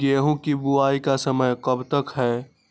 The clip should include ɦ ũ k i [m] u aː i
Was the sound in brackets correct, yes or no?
no